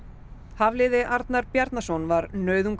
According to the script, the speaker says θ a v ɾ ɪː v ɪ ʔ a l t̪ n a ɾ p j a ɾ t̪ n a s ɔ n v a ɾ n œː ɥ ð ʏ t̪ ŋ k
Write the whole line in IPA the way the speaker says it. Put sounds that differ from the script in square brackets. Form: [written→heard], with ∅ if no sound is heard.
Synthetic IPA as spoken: [θ→h] a v [ɾ→l] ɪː [v→ð] ɪ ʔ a [l→ɾ] t̪ n a ɾ p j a ɾ t̪ n a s ɔ n v a ɾ n œː ɥ ð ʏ [t̪→∅] ŋ k